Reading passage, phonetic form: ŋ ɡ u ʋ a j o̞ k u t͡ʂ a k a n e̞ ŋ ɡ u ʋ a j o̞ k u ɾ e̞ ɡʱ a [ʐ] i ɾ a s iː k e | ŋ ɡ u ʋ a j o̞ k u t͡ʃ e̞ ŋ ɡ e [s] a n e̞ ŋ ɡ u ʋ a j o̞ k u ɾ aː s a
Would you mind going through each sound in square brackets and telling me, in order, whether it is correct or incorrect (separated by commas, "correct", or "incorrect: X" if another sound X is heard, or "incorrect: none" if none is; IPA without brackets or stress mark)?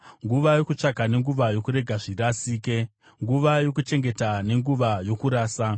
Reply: correct, incorrect: t